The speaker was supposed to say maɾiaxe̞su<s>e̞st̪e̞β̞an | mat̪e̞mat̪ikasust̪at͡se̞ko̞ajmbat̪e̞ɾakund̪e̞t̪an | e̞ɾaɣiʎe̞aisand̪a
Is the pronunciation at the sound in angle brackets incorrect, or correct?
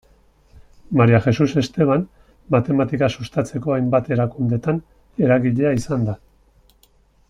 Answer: correct